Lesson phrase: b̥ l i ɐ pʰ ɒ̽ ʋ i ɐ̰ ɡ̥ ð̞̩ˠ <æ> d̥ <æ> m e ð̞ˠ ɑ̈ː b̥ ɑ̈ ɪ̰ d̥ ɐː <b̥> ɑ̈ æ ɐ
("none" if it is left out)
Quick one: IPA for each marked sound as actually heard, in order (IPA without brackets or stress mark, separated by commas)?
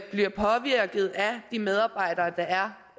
æ, i, d̥